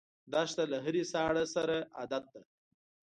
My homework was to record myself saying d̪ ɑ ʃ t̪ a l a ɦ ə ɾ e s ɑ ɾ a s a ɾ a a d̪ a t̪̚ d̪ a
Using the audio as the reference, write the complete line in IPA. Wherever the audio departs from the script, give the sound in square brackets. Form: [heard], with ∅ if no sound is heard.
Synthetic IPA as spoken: d̪ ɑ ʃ t̪ a l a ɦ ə ɾ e s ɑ [ɽ] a s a ɾ a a d̪ a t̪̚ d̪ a